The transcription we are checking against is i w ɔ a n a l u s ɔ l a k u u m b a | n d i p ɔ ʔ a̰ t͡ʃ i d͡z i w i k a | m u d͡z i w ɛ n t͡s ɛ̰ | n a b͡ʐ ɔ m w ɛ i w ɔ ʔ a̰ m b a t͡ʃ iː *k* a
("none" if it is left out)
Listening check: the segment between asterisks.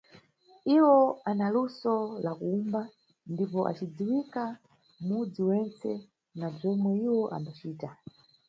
t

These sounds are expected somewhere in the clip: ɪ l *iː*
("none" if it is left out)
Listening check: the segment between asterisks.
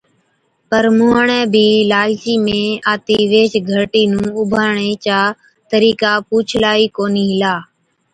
aː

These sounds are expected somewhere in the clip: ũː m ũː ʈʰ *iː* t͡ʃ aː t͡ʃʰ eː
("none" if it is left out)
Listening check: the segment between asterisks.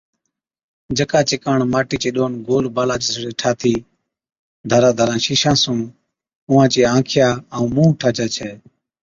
aː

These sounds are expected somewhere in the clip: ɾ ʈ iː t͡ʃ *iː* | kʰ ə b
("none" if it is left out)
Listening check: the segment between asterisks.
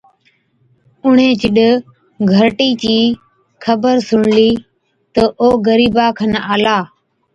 iː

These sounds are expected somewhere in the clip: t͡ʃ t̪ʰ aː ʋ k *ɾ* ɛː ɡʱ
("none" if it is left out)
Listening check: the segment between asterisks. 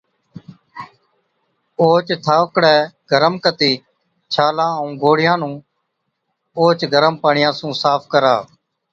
ɽ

